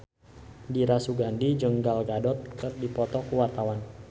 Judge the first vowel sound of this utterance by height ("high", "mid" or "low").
high